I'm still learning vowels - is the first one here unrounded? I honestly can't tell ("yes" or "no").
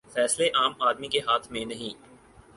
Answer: yes